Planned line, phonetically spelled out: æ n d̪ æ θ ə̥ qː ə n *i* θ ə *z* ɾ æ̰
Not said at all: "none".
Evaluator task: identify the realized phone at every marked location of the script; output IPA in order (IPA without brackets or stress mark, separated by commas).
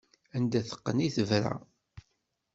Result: i, v